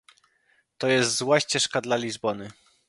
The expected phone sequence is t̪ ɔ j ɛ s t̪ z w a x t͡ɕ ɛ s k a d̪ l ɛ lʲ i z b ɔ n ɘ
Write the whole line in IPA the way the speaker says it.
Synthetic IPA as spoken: t̪ ɔ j ɛ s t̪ z w a ɕ t͡ɕ ɛ ʂ k a d̪ l a lʲ i z b ɔ n ɘ